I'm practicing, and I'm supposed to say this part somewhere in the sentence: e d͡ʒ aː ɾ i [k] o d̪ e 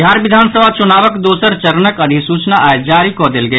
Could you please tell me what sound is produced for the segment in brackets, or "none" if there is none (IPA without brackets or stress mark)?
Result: k